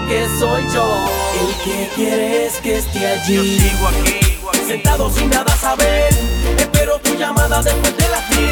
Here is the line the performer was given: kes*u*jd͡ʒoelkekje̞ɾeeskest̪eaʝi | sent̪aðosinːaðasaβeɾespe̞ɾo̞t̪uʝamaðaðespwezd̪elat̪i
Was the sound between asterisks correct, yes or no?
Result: no